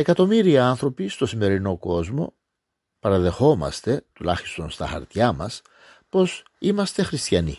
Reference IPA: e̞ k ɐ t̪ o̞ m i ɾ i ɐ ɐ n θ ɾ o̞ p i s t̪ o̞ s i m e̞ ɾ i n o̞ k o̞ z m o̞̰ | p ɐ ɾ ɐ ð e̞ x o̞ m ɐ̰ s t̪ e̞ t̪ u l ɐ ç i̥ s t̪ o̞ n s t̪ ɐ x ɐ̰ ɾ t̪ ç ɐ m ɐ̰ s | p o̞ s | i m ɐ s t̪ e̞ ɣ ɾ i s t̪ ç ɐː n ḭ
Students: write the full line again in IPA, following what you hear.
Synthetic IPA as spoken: e̞ k ɐ t̪ o̞ m i ɾ i ɐ ɐ n θ ɾ o̞ p i s t̪ o̞ s i m e̞ ɾ i n o̞ k o̞ z m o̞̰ | p ɐ ɾ ɐ ð e̞ x o̞ m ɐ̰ s t̪ e̞ t̪ u l ɐ ç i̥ s t̪ o̞ n s t̪ ɐ x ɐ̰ ɾ t̪ ç ɐ m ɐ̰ s | p o̞ s | i m ɐ s t̪ e̞ x ɾ i s t̪ ç ɐ n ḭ